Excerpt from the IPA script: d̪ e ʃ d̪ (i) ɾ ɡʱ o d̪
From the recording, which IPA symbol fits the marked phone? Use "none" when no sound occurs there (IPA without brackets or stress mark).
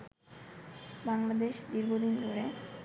i